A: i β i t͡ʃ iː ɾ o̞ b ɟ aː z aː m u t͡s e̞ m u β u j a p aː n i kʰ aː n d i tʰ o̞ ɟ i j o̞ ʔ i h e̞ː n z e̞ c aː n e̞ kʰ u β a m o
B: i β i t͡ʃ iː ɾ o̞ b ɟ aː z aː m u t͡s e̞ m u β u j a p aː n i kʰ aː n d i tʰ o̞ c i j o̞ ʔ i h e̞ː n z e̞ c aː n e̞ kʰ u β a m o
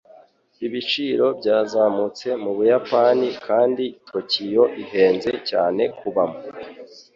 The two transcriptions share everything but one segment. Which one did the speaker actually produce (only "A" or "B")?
B